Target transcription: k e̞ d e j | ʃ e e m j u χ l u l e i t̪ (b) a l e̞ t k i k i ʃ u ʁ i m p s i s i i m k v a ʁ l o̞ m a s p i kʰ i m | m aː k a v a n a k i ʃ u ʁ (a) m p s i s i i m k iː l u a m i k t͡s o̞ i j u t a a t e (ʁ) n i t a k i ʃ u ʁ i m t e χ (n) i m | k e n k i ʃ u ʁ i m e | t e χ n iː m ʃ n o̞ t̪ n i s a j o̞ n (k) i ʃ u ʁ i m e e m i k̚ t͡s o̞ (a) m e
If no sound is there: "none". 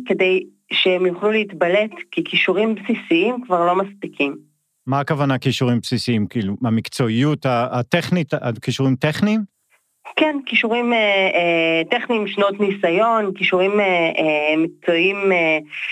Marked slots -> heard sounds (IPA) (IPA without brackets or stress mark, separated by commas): b, i, χ, n, k, i